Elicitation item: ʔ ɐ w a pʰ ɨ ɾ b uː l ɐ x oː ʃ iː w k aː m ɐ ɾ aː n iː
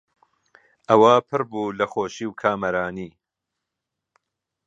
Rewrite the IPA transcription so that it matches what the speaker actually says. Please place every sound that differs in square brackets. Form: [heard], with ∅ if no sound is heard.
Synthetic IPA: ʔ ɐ w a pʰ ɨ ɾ b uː l ɐ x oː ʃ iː w [kʰ] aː m ɐ ɾ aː n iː

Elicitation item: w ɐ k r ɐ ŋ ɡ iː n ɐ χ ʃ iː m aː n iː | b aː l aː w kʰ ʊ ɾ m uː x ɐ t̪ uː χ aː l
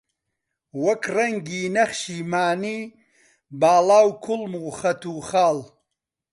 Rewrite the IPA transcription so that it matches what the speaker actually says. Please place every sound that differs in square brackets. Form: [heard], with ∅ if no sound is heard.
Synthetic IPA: w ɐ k r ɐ ŋ ɡ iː n ɐ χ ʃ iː m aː n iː | b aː l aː w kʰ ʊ [l] m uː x ɐ t̪ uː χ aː l

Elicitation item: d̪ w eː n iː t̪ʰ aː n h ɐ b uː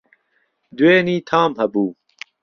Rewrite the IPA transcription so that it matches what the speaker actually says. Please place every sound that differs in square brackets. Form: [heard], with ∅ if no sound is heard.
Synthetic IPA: d̪ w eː n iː t̪ʰ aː [m] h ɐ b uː

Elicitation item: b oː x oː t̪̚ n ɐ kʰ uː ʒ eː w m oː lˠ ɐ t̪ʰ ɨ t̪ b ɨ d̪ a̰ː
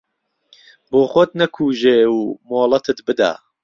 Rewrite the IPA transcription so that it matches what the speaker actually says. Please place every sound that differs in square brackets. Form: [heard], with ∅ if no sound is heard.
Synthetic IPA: b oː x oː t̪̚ n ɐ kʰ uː ʒ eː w m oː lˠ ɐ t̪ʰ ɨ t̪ b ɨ d̪ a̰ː

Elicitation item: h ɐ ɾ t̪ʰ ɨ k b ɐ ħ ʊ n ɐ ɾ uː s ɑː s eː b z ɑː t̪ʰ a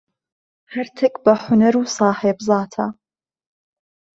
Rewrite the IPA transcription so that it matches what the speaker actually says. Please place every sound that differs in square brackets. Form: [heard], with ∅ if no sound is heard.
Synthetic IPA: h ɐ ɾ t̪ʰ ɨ k b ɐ ħ ʊ n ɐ ɾ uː s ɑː [ħ] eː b z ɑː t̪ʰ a

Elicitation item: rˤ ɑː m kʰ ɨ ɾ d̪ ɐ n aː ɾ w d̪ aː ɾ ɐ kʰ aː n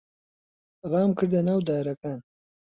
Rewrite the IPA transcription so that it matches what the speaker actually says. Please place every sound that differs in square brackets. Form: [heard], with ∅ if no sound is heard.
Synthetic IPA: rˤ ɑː m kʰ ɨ ɾ d̪ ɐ n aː [∅] w d̪ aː ɾ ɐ [k] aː n

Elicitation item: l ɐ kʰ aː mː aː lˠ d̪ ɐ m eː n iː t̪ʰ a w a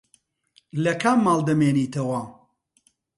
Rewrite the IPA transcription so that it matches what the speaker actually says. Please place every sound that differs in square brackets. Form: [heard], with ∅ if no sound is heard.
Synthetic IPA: l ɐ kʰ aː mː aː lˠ d̪ ɐ m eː n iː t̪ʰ [ɐ] w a

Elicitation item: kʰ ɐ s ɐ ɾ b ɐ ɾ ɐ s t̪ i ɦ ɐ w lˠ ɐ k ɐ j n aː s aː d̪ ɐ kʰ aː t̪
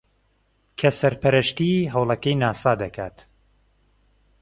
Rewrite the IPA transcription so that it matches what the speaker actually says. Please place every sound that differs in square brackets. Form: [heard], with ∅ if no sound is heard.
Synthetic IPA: kʰ ɐ s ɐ ɾ [p] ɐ ɾ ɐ [ʃ] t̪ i ɦ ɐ w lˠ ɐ k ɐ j n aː s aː d̪ ɐ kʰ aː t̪

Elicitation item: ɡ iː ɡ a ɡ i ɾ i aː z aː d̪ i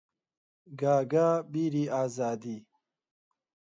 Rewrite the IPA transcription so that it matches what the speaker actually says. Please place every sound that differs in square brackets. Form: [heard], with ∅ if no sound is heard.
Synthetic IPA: ɡ [aː] ɡ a [b] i ɾ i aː z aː d̪ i

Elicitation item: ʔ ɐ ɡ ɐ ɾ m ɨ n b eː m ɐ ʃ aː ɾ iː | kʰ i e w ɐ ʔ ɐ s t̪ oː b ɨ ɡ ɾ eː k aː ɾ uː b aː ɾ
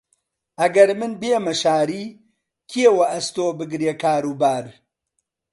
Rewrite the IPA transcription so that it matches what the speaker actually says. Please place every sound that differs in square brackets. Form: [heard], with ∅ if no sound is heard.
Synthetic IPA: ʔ ɐ ɡ ɐ ɾ m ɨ n b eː m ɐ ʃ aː ɾ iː | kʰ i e w ɐ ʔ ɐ s t̪ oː b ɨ ɡ ɾ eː k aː ɾ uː b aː ɾ

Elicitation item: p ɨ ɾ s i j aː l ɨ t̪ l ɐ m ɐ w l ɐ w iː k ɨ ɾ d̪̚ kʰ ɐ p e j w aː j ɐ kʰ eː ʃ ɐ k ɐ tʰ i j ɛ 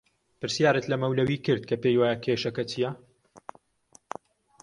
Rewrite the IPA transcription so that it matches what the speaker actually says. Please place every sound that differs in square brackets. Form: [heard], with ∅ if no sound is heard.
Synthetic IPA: p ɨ ɾ s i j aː [ɾ] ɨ t̪ l ɐ m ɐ w l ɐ w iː k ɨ ɾ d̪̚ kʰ ɐ p e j w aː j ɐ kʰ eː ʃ ɐ k ɐ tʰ i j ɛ

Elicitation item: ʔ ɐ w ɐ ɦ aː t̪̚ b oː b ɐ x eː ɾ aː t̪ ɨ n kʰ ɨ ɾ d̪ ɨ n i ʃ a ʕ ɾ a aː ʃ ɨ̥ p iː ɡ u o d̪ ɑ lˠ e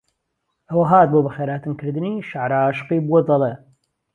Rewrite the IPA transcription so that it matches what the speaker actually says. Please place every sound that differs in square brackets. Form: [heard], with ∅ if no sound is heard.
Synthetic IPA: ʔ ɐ w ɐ ɦ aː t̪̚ b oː b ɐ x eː ɾ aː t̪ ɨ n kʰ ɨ ɾ d̪ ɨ n i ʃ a ʕ ɾ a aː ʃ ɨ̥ [q] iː [b] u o d̪ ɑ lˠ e

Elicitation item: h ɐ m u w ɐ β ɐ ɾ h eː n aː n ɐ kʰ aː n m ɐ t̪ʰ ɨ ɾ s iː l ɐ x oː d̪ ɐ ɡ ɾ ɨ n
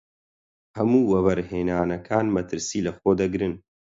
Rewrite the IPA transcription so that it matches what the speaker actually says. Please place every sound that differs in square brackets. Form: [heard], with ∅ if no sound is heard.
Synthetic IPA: h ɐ m [uː] w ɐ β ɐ ɾ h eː n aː n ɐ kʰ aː n m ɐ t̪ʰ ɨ ɾ s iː l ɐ x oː d̪ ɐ ɡ ɾ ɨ n

